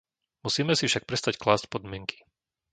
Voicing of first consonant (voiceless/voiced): voiced